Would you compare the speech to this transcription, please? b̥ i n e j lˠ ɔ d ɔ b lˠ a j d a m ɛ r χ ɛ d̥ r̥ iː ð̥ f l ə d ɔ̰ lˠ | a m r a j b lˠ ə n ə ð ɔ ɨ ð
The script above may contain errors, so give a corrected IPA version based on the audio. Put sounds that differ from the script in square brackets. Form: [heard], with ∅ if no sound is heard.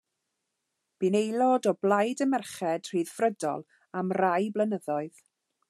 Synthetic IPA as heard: b̥ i n e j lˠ ɔ d ɔ b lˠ a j d [ə] m ɛ r χ ɛ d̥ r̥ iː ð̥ f [r] ə d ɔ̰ lˠ | a m r a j b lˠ ə n ə ð ɔ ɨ ð